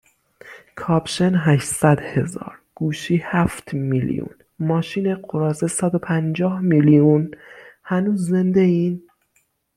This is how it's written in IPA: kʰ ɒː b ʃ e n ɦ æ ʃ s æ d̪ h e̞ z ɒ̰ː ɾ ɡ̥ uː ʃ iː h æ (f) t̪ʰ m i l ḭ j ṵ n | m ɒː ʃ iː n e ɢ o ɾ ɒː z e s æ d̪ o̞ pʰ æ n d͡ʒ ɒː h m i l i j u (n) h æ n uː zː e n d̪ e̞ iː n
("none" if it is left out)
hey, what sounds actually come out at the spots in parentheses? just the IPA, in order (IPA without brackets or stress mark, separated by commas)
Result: f, n